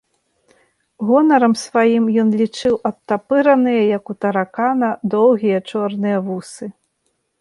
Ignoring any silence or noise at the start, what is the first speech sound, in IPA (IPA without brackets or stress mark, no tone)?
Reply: ɣ